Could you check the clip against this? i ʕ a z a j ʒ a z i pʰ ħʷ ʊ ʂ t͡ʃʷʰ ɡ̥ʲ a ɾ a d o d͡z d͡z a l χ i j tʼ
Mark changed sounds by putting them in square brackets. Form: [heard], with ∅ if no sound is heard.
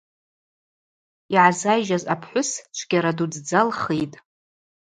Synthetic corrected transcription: i ʕ a z a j ʒ a z [a] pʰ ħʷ ʊ [s] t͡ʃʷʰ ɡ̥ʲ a ɾ a d [u] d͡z d͡z a l χ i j tʼ

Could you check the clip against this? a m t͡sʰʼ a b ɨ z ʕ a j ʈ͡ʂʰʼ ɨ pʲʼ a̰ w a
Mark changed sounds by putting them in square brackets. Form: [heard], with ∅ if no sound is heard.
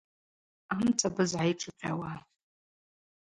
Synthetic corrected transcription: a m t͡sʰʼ a b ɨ z ʕ a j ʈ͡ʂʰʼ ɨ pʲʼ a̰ w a

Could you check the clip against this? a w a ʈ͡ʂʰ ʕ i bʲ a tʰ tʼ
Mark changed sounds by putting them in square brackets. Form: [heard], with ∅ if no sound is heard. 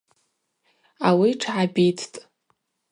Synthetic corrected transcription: a w [i] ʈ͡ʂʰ ʕ [a] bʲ [i] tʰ tʼ

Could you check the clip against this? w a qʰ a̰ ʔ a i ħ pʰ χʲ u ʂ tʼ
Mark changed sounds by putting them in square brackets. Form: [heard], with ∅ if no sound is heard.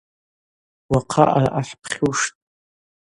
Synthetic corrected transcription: w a qʰ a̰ ʔ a [a] ħ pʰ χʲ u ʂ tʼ

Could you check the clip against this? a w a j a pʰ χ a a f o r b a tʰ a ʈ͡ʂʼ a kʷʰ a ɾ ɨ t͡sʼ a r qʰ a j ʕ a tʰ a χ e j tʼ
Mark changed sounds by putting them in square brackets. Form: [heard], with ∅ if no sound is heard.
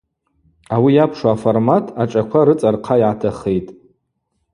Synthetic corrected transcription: a w [i] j a pʰ [ʂ] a a f o r [m] a tʰ a ʈ͡ʂʼ a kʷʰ a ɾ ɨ t͡sʼ a r qʰ a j ʕ a tʰ a χ e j tʼ

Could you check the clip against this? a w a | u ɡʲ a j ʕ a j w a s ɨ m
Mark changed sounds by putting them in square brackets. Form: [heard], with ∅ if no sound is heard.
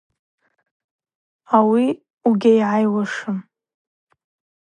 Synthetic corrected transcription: a w [i] | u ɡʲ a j ʕ a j w a [ʂ] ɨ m

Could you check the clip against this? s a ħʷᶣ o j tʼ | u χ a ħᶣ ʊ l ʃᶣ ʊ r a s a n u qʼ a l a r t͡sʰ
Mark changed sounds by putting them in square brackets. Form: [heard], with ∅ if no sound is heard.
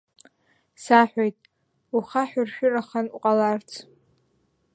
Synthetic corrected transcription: s a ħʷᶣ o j tʼ | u χ a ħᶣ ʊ [r] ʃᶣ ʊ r a [χ] a n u qʼ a l a r t͡sʰ

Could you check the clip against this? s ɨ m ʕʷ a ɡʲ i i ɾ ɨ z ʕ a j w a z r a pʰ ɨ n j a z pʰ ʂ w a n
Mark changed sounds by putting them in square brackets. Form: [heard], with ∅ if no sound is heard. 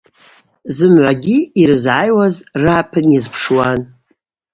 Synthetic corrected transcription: [z] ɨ m ʕʷ a ɡʲ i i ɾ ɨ z ʕ a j w a z r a pʰ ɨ n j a z pʰ ʂ w a n

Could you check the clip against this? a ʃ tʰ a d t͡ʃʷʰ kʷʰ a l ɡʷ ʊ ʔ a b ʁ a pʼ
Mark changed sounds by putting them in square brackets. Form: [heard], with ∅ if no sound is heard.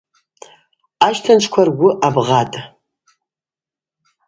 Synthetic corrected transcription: a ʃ tʰ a [n] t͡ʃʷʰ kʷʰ a [r] ɡʷ ʊ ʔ a b ʁ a [tʼ]

